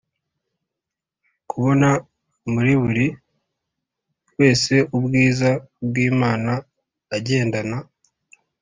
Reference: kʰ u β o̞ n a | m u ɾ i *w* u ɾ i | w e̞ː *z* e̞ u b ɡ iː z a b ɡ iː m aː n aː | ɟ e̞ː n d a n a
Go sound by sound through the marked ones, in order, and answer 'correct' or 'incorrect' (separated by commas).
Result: incorrect, incorrect